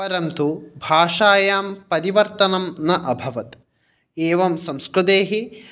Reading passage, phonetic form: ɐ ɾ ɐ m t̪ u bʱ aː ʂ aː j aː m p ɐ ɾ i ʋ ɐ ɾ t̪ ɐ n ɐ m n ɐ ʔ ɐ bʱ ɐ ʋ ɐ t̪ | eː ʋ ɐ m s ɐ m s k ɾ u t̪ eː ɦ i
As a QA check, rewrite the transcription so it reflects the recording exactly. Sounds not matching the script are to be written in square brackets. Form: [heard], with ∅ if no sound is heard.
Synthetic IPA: ɐ ɾ ɐ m t̪ u bʱ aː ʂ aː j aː m p ɐ ɾ i ʋ ɐ ɾ t̪ ɐ n ɐ m n ɐ ʔ ɐ bʱ ɐ ʋ ɐ t̪ | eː ʋ ɐ m s ɐ m s k ɾ u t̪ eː ɦ i